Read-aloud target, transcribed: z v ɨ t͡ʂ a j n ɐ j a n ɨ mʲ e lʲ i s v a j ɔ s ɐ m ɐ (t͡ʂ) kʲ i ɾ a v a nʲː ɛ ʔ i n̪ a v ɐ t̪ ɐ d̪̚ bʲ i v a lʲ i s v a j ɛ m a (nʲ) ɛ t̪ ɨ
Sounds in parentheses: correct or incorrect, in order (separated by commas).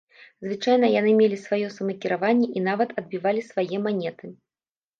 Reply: incorrect, correct